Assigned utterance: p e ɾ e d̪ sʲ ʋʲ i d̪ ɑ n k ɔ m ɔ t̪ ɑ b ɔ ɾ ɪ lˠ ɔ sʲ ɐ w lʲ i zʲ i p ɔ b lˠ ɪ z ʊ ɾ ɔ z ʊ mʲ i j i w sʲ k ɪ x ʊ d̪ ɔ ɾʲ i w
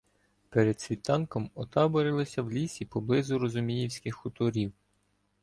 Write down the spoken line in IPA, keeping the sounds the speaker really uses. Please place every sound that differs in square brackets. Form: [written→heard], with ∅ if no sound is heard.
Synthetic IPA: p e ɾ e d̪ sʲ ʋʲ i [d̪→t̪] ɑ n k ɔ m ɔ t̪ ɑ b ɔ ɾ ɪ lˠ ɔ sʲ ɐ w lʲ i [zʲ→sʲ] i p ɔ b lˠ ɪ z ʊ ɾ ɔ z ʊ mʲ i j i w sʲ k ɪ x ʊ [d̪→t̪] ɔ ɾʲ i w